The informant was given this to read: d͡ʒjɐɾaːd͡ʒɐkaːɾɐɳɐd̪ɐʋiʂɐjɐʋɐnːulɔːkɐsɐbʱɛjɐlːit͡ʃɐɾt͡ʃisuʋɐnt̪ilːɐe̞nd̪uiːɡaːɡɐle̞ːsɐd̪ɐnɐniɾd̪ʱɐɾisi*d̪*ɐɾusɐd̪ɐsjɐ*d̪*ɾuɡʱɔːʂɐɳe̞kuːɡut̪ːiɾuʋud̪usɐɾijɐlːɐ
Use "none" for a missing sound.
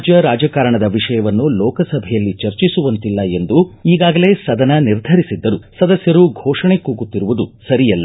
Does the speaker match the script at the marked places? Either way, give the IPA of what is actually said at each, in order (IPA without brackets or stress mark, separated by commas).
d̪ː, none